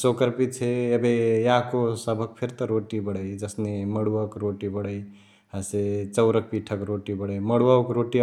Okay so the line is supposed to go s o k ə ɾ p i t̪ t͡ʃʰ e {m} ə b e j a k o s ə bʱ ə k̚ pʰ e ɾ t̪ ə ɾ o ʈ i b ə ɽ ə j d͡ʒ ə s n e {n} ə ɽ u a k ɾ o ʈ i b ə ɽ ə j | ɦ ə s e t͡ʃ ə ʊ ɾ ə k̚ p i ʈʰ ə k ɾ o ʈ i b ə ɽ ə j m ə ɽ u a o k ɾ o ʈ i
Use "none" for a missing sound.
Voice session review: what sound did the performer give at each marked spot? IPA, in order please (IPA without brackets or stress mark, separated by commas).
none, m